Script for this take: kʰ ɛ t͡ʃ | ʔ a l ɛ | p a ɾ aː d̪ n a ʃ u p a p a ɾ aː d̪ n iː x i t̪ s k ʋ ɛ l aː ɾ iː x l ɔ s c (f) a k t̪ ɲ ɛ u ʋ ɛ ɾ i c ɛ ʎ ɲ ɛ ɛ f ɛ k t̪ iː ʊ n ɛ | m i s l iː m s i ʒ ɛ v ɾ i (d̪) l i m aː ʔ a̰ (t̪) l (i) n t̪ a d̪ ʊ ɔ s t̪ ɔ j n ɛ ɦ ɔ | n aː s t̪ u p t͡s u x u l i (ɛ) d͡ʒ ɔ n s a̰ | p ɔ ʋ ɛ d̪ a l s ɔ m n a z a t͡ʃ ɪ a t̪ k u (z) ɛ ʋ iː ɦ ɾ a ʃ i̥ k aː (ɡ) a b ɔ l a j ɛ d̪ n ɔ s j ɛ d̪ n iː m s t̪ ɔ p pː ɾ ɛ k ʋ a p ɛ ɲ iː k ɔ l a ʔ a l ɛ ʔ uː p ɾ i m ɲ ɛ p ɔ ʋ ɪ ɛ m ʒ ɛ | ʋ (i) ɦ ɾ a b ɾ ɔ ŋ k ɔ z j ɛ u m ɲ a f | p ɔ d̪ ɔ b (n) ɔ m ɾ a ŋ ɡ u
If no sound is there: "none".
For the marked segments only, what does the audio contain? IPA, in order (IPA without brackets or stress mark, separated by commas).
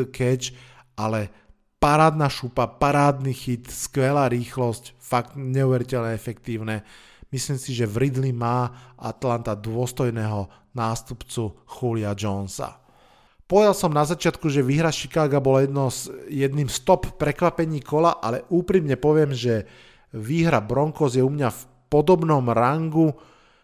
f, d̪, t̪, a, a, ʒ, ɡ, iː, n